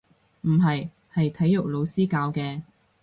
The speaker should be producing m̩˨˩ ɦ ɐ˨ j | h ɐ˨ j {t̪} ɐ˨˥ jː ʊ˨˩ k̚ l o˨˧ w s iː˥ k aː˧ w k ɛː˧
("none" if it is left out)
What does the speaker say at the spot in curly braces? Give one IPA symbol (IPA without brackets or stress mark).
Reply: t̪ʰ